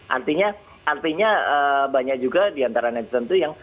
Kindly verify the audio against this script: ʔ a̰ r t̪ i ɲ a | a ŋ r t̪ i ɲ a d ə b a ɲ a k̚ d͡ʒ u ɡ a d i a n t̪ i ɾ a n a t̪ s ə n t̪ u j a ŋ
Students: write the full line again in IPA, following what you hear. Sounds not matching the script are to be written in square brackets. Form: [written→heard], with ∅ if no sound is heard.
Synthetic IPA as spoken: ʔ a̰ r t̪ i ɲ a | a [ŋ→∅] r t̪ i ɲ a [d→∅] ə b a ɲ a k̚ d͡ʒ u ɡ a d i a n t̪ [i→a] ɾ a n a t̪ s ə n t̪ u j a ŋ